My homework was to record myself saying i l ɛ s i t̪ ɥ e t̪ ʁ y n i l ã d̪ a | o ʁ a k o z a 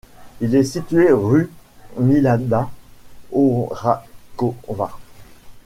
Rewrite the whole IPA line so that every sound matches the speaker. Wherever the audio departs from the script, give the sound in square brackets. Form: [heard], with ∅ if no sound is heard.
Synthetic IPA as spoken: i l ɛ s i t̪ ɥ e [∅] ʁ y [m] i l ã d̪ a | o ʁ a k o [v] a